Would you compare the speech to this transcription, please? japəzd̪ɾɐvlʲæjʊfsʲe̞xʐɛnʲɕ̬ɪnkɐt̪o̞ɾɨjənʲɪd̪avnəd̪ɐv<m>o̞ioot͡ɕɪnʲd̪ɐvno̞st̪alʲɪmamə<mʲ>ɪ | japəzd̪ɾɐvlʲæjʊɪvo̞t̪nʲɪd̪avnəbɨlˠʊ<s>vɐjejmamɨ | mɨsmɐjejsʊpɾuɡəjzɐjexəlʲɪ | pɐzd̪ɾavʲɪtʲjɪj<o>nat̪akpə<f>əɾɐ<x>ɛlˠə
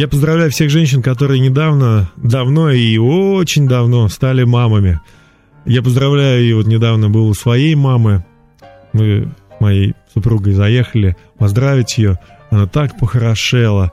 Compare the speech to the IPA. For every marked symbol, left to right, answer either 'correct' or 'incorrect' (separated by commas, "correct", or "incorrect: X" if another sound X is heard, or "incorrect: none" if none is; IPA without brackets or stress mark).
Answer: incorrect: n, correct, correct, correct, incorrect: x, incorrect: ʂ